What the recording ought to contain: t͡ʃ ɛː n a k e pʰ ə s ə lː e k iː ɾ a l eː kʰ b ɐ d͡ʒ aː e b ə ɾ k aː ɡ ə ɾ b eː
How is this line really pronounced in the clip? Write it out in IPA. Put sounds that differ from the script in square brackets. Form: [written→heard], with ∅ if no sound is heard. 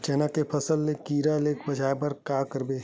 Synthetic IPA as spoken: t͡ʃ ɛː n a k e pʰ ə s ə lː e k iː ɾ a l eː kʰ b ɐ d͡ʒ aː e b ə ɾ k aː [ɡ→k] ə ɾ b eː